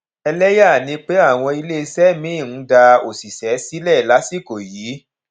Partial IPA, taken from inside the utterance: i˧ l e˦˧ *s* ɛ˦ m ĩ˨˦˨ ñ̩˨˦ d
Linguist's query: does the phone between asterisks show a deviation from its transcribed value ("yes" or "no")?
no